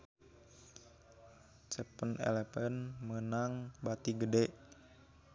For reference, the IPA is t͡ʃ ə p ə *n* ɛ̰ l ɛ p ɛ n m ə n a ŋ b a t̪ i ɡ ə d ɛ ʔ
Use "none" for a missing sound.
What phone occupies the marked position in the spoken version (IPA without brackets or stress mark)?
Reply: n